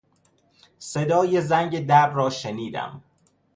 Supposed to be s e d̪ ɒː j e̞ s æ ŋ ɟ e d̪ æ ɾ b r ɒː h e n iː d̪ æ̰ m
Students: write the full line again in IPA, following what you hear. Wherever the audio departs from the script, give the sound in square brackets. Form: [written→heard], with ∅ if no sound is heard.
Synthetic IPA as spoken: s e d̪ ɒː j e̞ [s→z] æ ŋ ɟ e d̪ æ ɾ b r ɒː [h→ʃ] e n iː d̪ æ̰ m